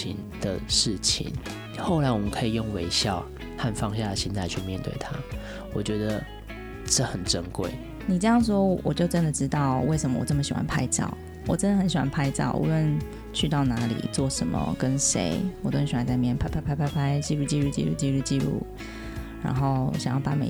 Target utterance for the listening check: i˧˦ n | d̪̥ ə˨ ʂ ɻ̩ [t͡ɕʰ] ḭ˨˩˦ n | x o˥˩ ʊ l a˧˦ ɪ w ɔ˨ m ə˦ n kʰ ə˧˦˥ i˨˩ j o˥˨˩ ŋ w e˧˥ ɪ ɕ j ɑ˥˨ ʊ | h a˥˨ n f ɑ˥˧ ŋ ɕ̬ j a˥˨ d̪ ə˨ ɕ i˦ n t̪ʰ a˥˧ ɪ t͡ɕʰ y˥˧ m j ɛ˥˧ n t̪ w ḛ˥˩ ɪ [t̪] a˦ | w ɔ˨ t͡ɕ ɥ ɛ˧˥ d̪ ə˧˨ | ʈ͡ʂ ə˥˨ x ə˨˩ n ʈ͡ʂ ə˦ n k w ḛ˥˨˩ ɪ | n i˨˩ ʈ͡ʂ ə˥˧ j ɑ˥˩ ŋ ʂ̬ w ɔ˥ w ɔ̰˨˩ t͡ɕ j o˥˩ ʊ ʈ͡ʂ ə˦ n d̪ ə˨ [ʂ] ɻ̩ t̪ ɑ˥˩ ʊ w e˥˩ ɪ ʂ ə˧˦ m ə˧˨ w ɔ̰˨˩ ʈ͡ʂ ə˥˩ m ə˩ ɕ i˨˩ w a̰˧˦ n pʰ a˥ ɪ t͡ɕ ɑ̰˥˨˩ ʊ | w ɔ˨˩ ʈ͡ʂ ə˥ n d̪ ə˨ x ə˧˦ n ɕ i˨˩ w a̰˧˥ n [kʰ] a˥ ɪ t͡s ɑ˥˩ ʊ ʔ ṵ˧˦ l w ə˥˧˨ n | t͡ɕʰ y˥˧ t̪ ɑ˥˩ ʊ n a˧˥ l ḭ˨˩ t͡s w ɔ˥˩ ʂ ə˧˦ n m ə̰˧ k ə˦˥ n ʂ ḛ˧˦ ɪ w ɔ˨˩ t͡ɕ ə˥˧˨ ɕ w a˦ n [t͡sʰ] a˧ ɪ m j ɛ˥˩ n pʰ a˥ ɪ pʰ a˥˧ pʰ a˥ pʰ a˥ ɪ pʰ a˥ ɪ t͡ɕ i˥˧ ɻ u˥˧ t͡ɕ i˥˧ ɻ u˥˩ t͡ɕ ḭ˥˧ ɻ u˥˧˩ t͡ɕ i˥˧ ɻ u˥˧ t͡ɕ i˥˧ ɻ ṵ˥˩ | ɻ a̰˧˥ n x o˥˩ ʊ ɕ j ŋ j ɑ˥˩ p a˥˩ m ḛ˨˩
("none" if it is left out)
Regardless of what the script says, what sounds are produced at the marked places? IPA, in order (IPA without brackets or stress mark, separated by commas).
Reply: t͡ɕʰ, t̪ʰ, ʈ͡ʂ, pʰ, t͡s